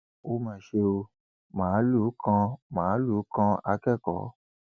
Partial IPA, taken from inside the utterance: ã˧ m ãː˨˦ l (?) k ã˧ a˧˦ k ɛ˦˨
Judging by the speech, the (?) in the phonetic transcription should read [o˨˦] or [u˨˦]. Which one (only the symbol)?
u˨˦